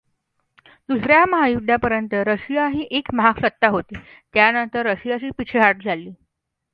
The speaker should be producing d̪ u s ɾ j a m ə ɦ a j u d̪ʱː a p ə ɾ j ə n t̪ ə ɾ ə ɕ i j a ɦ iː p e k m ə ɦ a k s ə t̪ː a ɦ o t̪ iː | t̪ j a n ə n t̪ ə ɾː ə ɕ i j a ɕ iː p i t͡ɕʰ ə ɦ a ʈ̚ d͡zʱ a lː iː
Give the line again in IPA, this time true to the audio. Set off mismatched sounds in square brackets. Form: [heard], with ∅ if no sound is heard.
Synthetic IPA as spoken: d̪ u s ɾ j a m ə ɦ a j u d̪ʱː a p ə ɾ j ə n t̪ ə ɾ ə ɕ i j a ɦ iː [ʔ] e k m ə ɦ a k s ə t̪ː a ɦ o t̪ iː | t̪ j a n ə n t̪ ə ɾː ə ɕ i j a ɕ iː p i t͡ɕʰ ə ɦ a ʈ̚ d͡zʱ a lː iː

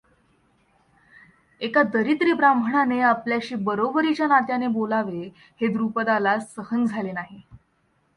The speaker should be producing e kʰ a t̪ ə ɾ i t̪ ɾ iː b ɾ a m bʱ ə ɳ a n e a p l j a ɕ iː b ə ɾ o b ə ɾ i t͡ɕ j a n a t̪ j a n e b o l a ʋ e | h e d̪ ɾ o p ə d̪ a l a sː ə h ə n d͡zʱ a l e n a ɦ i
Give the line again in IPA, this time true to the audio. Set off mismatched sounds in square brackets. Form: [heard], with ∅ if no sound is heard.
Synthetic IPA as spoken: e [k] a [d̪] ə ɾ i t̪ ɾ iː b ɾ a m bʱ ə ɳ a n e a p l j a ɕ iː b ə ɾ o b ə ɾ i t͡ɕ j a n a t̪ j a n e b o l a ʋ e | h e d̪ ɾ [u] p ə d̪ a l a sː ə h ə n d͡zʱ a l e n a ɦ i

